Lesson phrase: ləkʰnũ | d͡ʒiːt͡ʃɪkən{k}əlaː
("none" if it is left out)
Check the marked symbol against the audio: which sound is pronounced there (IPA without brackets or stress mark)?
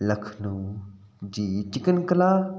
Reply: k